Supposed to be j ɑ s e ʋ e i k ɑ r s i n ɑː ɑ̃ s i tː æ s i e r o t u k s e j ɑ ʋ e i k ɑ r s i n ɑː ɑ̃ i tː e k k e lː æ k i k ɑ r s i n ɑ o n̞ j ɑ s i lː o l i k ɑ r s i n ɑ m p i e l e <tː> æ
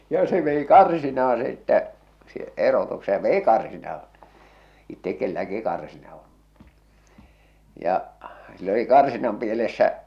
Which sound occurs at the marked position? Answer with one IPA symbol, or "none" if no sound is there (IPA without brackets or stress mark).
sː